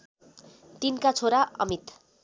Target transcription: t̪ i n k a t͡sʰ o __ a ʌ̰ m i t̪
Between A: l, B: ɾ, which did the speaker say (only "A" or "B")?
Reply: B